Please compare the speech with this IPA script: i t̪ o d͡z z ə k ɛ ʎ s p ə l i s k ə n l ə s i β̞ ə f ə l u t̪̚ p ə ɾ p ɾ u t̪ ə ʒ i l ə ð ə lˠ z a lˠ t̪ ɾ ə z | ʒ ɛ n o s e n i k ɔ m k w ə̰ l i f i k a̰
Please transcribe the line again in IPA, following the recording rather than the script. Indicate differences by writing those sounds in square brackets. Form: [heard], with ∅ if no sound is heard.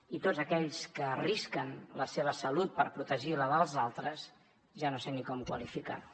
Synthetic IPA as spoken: i t̪ o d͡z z ə k ɛ ʎ s [k] ə [r] i s k ə n l ə s [e] β̞ ə [s] ə l u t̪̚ p ə ɾ p ɾ u t̪ ə ʒ i l ə ð ə lˠ z a lˠ t̪ ɾ ə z | ʒ [a] n o s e n i k ɔ m k w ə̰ l i f i k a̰